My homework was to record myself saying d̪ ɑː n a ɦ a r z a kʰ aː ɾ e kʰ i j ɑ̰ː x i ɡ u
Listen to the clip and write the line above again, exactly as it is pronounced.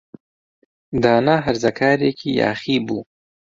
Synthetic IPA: d̪ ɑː n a ɦ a ɾ z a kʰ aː ɾ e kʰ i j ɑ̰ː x i b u